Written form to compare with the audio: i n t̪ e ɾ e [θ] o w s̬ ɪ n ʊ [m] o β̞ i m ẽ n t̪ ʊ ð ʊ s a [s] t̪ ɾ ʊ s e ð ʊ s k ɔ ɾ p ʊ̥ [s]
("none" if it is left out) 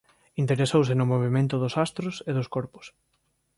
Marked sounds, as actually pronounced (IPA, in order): s, m, s, s

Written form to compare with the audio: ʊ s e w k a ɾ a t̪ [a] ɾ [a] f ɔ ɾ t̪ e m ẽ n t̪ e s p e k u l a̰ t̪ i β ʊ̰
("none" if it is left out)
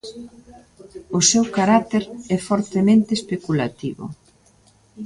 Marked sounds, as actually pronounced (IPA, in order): e, ɛ

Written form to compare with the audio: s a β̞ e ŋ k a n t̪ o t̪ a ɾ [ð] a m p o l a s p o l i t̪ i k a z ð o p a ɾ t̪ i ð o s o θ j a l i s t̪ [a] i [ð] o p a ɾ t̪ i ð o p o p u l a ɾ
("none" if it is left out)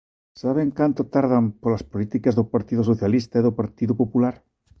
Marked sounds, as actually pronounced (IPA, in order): ð, a, ð

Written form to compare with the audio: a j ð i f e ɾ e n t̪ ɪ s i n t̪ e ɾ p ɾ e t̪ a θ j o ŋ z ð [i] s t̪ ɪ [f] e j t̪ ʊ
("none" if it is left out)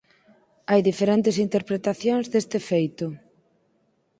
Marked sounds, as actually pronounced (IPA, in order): e, f

